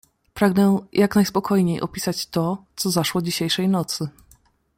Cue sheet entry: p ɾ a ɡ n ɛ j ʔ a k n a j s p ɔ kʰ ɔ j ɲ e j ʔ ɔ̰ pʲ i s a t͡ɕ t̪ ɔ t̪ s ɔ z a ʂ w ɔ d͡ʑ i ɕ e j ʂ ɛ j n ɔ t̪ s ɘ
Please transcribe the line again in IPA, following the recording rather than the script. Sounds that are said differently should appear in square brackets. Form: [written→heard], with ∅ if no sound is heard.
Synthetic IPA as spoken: p ɾ a ɡ n ɛ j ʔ a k n a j s p ɔ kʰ ɔ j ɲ e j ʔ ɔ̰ pʲ i s a t͡ɕ t̪ ɔ t̪ s ɔ z a ʂ w ɔ d͡ʑ i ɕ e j ʂ ɛ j n ɔ t̪ s ɘ